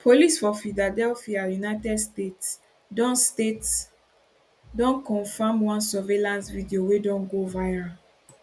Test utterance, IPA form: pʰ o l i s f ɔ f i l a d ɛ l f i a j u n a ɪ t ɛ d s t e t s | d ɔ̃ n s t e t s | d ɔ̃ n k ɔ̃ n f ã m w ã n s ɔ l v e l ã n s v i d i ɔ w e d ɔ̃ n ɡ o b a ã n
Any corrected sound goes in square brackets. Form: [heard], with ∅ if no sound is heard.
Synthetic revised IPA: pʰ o l i s f ɔ f i l a d ɛ l f i a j u n a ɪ t ɛ d s t e t s | d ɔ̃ n s t e t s | d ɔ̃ n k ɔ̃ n f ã m w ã n s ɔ [∅] v e l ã n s v i d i [o] w e d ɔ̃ n ɡ o [v] a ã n

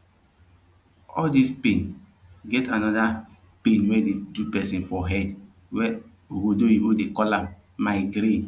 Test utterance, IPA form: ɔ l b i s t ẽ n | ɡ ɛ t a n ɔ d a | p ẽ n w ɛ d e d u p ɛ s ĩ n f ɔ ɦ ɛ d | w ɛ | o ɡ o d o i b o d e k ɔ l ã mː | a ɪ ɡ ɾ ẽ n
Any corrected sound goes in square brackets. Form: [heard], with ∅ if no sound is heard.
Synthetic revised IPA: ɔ l [d] i s [p] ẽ n | ɡ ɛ t a n ɔ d a | p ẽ n w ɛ d e d u p ɛ s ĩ n f ɔ ɦ ɛ d | w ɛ | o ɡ o d o i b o d e k ɔ l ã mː | a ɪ ɡ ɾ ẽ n

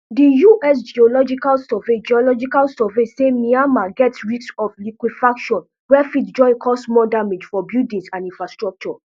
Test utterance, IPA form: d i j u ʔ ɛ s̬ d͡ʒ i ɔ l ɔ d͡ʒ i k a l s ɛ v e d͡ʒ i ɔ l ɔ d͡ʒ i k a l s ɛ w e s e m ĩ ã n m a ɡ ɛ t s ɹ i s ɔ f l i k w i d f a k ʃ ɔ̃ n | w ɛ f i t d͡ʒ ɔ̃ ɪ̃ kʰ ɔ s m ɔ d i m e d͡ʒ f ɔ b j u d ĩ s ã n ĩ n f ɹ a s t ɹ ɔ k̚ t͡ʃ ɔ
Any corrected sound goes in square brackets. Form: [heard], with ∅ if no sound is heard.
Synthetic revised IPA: d i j u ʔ ɛ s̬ d͡ʒ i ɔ l ɔ d͡ʒ i k a l s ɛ v e d͡ʒ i ɔ l ɔ d͡ʒ i k a l s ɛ [v] e s e m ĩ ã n m a ɡ ɛ t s ɹ i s ɔ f l i k w i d f a k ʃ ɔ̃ n | w ɛ f i t d͡ʒ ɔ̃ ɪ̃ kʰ ɔ s m ɔ d [a] m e d͡ʒ f ɔ b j u d ĩ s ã n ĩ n f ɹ a s t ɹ ɔ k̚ t͡ʃ ɔ

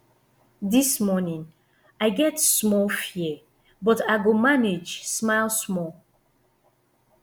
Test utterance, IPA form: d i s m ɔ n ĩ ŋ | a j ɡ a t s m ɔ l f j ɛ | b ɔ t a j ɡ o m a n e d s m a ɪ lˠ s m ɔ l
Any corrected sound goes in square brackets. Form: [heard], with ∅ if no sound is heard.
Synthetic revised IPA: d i s m ɔ n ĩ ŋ | a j ɡ [ɛ] t s m ɔ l f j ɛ | b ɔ t a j ɡ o m a n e [d͡ʒ] s m a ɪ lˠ s m ɔ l

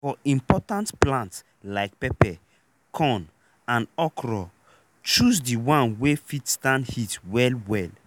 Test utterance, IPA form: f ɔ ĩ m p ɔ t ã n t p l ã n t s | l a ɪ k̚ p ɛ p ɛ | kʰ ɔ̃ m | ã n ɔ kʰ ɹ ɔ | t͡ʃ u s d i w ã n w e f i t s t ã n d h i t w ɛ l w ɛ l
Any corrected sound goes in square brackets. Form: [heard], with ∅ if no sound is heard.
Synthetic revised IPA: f ɔ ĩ m p ɔ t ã n t p l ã n t s | l a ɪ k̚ p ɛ p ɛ | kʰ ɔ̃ [n] | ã n ɔ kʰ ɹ ɔ | t͡ʃ u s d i w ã n w e f i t s t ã n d h i t w ɛ l w ɛ l

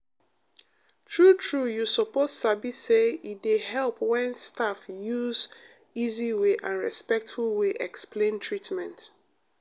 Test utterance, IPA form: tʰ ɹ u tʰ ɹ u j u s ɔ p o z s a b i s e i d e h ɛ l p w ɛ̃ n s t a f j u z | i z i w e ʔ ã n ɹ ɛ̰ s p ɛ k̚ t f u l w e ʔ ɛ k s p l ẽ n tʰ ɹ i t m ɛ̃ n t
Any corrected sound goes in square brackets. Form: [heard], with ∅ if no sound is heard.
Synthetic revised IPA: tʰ ɹ u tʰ ɹ u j u s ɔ p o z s a b i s e i d e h ɛ l p w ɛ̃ n s t a f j u z | i z i w e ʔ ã n ɹ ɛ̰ s p ɛ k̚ t f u l w e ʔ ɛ k s p l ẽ n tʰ ɹ i t m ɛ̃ n t

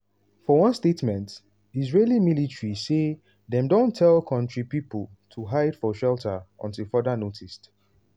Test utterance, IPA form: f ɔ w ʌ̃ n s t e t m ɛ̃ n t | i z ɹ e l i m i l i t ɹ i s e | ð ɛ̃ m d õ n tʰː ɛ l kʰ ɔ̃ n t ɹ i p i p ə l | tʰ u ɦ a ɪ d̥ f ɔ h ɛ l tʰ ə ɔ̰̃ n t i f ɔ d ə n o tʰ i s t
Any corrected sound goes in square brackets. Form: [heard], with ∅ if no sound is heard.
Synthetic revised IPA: f ɔ w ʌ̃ n s t e t m ɛ̃ n t | i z ɹ e l i m i l i t ɹ i s e | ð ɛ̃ m d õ n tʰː ɛ l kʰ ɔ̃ n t ɹ i p i p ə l | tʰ u ɦ a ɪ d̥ f ɔ [ʃ] ɛ l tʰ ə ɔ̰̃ n t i f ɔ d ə n o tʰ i s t

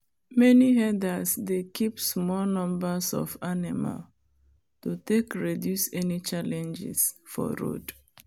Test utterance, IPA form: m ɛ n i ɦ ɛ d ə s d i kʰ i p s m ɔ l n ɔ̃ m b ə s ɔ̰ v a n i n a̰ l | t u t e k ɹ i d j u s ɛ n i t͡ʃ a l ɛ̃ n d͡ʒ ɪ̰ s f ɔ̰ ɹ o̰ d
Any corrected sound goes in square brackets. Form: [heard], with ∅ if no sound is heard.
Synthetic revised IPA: m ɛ n i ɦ ɛ d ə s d [e] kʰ i p s m ɔ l n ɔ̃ m b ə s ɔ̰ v a n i [m] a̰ l | t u t e k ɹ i d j u s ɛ n i t͡ʃ a l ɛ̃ n d͡ʒ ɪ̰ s f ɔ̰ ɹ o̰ d

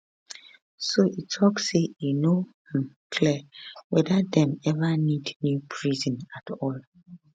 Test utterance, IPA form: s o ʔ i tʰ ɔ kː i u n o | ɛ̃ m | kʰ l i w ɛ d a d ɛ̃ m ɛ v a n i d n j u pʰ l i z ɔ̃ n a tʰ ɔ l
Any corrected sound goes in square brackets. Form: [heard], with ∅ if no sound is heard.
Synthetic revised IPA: s o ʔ i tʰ ɔ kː [e] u n o | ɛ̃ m | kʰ l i w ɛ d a d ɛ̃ m ɛ v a n i d n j u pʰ [ɹ] i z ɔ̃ n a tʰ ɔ l

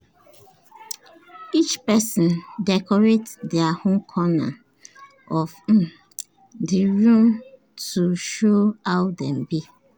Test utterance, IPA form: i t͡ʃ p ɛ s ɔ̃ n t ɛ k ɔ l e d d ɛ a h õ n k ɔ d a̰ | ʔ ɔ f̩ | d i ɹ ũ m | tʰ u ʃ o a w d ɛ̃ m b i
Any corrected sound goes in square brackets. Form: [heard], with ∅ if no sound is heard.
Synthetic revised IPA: i t͡ʃ p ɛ s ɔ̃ n [d] ɛ k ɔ [ɹ] e [t] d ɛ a h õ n [kʰ] ɔ [n] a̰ | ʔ ɔ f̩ | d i ɹ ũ m | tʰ u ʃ o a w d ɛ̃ m b i

